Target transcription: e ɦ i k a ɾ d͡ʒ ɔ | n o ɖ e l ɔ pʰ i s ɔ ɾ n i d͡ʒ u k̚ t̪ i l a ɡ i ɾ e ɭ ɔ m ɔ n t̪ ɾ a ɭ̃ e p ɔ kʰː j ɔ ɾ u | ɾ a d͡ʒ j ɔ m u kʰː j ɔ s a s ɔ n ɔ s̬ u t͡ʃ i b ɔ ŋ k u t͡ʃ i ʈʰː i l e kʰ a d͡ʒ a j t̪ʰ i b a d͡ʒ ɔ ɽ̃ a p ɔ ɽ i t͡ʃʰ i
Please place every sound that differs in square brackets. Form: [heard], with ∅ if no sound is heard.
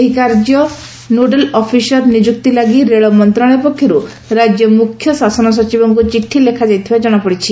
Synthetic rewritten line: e ɦ i k a ɾ d͡ʒ ɔ | n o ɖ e l ɔ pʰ i s ɔ ɾ n i d͡ʒ u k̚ t̪ i l a ɡ i ɾ e ɭ ɔ m ɔ n t̪ ɾ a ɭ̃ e p ɔ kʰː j ɔ ɾ u | ɾ a d͡ʒ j ɔ m u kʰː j ɔ s a s ɔ n ɔ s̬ [ɔ] t͡ʃ i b ɔ ŋ k u t͡ʃ i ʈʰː i l e kʰ a d͡ʒ a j t̪ʰ i b a d͡ʒ ɔ ɽ̃ a p ɔ ɽ i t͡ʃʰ i